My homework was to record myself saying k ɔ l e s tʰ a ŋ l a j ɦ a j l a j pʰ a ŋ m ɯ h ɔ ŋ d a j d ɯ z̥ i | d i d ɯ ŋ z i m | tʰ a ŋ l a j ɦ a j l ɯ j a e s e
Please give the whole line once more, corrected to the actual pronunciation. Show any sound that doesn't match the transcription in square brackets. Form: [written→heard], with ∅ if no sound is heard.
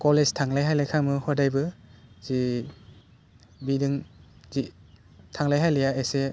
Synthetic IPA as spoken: k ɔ l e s tʰ a ŋ l a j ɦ a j l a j [pʰ→kʰ] a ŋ m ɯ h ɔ [ŋ→∅] d a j [d→b] ɯ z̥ i | [d→b] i d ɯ ŋ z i [m→∅] | tʰ a ŋ l a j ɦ a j l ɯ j a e s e

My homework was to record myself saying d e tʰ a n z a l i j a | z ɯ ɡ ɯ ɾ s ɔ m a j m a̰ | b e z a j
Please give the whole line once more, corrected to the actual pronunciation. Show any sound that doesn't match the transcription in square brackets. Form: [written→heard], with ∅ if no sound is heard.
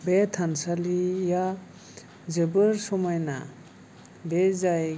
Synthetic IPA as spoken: [d→b] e tʰ a n [z→s] a l i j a | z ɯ [ɡ→b] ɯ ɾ s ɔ m a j [m→n] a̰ | b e z a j

